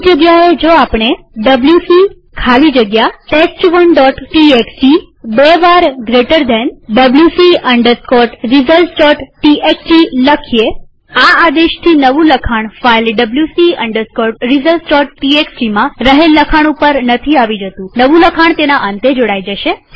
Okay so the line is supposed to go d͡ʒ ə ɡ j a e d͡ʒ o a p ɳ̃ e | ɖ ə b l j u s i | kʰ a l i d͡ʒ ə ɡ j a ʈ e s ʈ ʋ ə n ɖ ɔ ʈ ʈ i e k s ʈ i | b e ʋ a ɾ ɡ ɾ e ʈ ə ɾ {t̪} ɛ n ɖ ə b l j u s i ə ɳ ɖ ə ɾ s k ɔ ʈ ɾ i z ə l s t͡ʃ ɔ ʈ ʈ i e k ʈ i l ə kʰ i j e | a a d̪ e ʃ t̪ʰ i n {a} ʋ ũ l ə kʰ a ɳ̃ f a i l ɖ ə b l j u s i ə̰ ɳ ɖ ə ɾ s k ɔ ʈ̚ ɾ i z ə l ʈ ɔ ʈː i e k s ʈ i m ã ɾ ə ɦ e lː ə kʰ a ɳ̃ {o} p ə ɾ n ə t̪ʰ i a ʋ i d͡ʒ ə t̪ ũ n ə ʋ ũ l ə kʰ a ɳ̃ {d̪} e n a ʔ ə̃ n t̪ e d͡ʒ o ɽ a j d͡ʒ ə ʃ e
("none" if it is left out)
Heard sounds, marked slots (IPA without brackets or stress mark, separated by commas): d̪, ə, u, t̪